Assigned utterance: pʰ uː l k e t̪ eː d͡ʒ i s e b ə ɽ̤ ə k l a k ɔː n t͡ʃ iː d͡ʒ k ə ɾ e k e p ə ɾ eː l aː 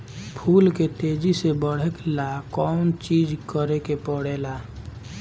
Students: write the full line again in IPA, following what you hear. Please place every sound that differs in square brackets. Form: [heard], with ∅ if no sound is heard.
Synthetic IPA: pʰ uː l k e t̪ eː d͡ʒ i s e b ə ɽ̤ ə k l a k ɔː n t͡ʃ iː d͡ʒ k ə ɾ e k e p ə [ɽ] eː l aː